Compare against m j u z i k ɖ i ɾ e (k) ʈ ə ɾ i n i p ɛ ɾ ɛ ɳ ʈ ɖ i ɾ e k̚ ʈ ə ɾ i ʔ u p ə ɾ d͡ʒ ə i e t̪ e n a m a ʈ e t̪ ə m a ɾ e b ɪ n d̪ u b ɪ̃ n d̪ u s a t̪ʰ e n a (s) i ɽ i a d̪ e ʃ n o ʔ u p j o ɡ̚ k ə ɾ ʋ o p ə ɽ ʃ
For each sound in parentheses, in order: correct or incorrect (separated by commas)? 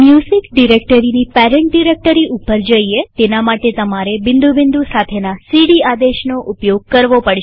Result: correct, correct